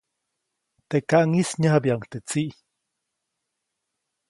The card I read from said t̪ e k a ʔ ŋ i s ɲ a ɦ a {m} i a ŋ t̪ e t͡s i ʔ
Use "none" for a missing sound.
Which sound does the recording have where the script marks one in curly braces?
b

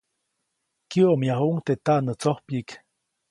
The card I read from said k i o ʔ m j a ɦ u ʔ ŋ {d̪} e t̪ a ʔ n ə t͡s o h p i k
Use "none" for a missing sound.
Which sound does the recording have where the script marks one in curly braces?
t̪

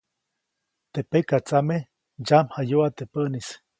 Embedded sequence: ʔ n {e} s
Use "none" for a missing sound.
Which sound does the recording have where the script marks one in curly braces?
i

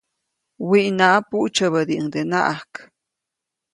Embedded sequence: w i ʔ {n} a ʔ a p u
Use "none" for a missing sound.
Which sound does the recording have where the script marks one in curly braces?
n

